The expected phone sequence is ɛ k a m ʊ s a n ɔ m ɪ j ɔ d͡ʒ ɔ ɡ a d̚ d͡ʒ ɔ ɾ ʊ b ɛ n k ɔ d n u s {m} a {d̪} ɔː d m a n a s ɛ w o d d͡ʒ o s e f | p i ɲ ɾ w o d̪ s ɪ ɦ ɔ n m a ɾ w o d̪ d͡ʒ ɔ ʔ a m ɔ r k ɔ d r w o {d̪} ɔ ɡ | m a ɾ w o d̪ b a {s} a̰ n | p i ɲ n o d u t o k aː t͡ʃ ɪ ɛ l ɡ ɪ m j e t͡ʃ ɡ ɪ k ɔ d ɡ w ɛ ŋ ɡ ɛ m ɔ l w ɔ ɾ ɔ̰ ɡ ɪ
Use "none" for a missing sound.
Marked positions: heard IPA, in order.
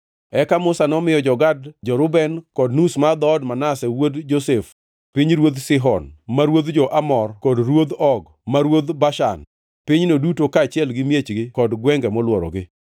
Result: m, d̪, d̪, ʃ

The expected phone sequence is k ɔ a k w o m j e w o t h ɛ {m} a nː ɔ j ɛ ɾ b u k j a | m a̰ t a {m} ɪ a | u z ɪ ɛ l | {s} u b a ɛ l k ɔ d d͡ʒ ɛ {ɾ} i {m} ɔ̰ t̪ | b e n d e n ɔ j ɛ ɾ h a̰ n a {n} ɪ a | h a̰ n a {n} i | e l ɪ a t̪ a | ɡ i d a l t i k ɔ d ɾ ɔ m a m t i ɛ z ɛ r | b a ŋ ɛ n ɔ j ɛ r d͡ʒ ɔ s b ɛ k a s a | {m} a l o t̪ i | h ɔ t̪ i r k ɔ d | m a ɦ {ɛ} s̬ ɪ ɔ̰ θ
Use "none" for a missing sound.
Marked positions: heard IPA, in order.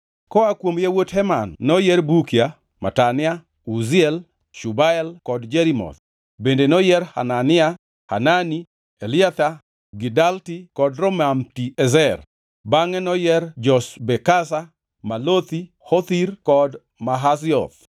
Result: m, n, ʃ, ɾ, m, n, n, m, a

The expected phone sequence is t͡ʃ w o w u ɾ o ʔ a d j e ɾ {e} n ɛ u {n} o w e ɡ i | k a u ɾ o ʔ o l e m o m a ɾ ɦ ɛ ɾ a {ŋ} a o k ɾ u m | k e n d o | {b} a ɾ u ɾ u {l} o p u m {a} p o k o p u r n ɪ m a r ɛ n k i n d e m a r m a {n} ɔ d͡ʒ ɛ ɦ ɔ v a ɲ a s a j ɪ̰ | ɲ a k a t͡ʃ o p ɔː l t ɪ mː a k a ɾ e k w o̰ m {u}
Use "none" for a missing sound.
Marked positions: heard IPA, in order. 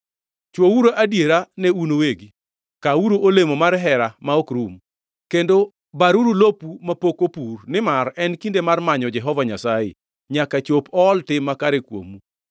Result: a, n, m, b, l, a, ɲ, u

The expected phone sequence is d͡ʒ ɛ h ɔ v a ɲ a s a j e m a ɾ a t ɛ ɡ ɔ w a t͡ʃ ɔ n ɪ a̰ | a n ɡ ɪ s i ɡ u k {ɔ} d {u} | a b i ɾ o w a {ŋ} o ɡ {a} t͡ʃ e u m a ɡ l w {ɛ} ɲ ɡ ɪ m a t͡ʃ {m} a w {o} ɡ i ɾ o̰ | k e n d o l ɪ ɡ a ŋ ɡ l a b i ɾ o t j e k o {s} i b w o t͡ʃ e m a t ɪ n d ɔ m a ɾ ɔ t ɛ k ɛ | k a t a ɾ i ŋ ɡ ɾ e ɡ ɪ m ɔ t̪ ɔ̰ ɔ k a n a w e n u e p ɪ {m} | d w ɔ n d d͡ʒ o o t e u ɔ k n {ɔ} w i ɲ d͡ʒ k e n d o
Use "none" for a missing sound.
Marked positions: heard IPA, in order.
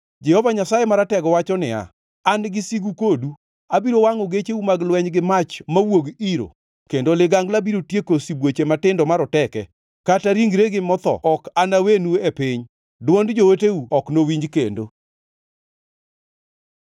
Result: o, u, ŋ, e, ɛ, m, o, s, ɲ, o

